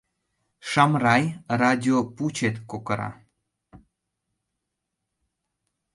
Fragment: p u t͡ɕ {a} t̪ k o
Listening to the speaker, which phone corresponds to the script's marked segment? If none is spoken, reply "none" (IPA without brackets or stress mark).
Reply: e